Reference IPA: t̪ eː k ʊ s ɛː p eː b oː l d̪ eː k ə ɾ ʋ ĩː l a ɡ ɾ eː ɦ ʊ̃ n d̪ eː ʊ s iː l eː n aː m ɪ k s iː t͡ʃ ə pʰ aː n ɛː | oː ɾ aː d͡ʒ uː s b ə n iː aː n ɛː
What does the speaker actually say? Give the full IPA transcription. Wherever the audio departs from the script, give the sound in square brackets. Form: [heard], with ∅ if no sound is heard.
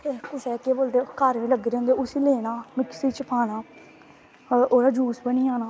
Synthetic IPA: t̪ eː k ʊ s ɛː [k] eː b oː l d̪ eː k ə ɾ ʋ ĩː l [ə] ɡ ɾ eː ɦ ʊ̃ n d̪ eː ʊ s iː l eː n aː m ɪ k s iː t͡ʃ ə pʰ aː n [aː] | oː ɾ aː d͡ʒ uː s b ə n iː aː n [aː]